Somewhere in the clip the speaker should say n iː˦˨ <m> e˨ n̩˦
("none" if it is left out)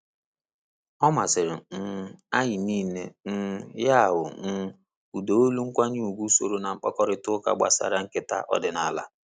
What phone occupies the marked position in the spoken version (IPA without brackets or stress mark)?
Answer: n